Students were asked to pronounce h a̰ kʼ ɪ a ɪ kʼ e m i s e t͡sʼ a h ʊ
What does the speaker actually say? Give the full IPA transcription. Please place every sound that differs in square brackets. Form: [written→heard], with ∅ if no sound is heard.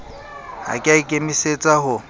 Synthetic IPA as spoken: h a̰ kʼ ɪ a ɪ kʼ e m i s e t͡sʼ a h ʊ